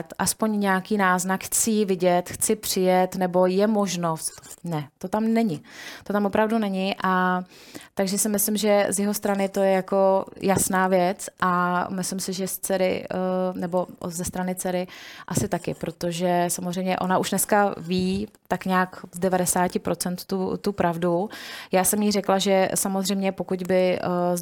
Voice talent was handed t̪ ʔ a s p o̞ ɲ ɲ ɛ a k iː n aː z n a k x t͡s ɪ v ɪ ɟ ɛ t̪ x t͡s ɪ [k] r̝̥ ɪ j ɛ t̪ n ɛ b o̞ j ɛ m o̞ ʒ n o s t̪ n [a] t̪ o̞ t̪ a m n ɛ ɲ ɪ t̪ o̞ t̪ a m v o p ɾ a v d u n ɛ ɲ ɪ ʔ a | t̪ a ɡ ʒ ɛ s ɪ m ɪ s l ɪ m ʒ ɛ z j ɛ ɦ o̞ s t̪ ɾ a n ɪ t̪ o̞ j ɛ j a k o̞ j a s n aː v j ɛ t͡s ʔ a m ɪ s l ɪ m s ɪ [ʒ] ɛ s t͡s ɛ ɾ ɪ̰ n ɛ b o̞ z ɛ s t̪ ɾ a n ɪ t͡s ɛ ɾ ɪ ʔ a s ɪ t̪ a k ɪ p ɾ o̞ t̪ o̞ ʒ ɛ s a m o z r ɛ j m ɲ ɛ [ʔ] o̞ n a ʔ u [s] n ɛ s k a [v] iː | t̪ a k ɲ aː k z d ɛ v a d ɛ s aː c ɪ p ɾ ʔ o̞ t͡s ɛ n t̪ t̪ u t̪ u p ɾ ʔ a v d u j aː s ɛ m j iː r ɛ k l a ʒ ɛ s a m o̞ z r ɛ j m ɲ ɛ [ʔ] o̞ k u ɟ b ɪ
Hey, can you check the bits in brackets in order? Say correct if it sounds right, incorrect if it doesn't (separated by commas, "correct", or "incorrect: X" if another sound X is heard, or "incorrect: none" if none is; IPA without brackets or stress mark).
incorrect: p, incorrect: ɛ, correct, correct, incorrect: ʃ, correct, incorrect: p